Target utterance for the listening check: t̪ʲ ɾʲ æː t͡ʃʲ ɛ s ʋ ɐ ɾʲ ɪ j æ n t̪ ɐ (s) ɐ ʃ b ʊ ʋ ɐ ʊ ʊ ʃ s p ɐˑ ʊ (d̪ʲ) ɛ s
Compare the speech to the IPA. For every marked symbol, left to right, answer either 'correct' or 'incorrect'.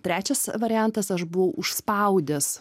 correct, correct

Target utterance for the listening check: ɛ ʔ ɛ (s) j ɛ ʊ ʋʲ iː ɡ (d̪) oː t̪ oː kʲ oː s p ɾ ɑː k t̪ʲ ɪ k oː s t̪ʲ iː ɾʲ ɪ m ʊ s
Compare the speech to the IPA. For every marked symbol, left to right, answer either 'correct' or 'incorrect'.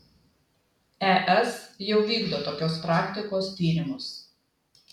correct, correct

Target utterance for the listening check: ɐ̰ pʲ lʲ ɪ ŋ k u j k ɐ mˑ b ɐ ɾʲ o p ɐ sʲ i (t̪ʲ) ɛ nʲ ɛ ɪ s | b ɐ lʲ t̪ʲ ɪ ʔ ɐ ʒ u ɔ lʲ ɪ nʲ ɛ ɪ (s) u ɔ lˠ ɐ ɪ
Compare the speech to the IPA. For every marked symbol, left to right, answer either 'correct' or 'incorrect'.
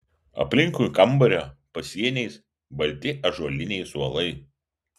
incorrect: none, correct

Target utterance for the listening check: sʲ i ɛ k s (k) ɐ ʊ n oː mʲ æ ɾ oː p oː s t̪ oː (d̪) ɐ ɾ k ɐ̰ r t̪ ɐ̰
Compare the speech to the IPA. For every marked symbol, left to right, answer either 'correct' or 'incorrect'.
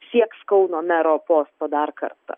correct, correct

